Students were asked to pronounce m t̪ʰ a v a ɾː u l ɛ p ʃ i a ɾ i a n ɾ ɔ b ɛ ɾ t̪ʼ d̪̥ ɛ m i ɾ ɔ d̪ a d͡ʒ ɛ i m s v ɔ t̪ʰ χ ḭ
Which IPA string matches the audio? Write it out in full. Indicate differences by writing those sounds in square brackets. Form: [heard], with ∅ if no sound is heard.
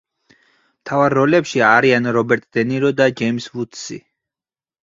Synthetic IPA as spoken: m t̪ʰ a v a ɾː [ɔ] l ɛ p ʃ i a ɾ i a n ɾ ɔ b ɛ ɾ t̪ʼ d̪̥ ɛ [n] i ɾ ɔ d̪ a d͡ʒ ɛ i m s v [u] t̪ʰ [s] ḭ